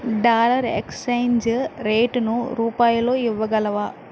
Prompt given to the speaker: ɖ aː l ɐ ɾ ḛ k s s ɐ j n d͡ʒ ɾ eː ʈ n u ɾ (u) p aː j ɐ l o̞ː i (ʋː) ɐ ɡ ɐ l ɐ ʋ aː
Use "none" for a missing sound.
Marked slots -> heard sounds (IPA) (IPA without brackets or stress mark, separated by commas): uː, ʋː